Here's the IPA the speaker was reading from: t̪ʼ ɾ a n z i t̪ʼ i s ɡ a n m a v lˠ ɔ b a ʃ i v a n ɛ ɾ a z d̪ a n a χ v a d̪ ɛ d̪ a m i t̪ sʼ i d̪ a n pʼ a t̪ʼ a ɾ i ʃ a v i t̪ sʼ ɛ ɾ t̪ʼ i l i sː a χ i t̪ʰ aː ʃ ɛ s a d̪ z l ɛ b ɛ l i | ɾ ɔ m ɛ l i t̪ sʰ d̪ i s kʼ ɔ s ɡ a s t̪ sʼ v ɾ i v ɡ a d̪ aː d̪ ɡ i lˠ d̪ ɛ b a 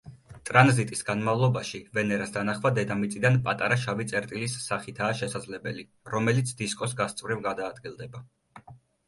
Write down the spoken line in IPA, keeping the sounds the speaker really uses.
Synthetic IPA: t̪ʼ ɾ a n z i t̪ʼ i s ɡ a n m a v lˠ ɔ b a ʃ i v ɛ n ɛ ɾ a s d̪ a n a χ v a d̪ ɛ d̪ a m i t̪ sʼ i d̪ a n pʼ a t̪ʼ a ɾ a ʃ a v i t̪ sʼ ɛ ɾ t̪ʼ i l i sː a χ i t̪ʰ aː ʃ ɛ s a d̪ z l ɛ b ɛ l i | ɾ ɔ m ɛ l i t̪ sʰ d̪ i s kʼ ɔ s ɡ a s t̪ sʼ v ɾ i v ɡ a d̪ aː d̪ ɡ i lˠ d̪ ɛ b a